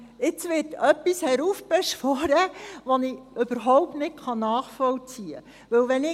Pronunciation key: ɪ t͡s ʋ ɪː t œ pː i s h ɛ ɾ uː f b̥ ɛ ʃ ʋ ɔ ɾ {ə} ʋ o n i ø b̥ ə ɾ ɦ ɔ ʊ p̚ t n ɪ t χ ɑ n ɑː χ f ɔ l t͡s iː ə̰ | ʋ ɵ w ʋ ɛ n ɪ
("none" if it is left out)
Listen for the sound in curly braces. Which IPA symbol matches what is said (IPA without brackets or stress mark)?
ə